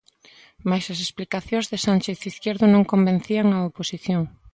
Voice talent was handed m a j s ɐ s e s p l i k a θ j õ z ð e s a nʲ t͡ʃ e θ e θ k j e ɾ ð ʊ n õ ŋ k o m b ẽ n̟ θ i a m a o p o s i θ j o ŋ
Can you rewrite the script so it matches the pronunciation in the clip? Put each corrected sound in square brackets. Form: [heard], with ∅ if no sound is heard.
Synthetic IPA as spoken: m a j s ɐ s e s p l i k a θ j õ z ð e s a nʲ t͡ʃ e θ [i] θ k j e ɾ ð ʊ n õ ŋ k o m b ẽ n̟ θ i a [ŋ] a o p o s i θ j o ŋ